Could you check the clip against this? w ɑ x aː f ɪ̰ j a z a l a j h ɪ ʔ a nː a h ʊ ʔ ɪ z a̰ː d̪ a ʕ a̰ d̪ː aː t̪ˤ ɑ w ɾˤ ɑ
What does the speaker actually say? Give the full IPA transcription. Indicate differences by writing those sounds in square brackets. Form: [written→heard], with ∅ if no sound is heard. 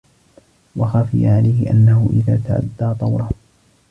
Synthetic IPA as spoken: w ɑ x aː f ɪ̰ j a [z→ʕ] a l a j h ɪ ʔ a nː a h ʊ ʔ ɪ [z→ð] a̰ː [d̪→t̪] a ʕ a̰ d̪ː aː t̪ˤ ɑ w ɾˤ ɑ